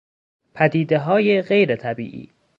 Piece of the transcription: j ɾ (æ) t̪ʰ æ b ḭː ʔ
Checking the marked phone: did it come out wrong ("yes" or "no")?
yes